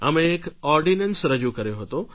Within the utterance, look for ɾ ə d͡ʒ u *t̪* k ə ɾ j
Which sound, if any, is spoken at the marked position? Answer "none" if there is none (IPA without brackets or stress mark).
none